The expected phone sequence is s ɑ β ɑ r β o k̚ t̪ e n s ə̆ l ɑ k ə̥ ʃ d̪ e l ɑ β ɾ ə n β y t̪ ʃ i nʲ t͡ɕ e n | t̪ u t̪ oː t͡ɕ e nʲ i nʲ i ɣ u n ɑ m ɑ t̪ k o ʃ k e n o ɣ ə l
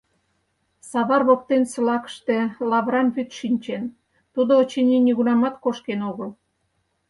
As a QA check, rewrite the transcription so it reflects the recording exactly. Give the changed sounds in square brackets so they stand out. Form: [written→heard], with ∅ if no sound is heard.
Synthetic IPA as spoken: s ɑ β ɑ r β o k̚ t̪ e n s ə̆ l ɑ k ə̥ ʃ [d̪→t̪] e l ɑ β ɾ [ə→ɑ] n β y t̪ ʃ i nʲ t͡ɕ e n | t̪ u [t̪→d̪] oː t͡ɕ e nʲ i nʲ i ɣ u n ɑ m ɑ t̪ k o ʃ k e n o ɣ ə l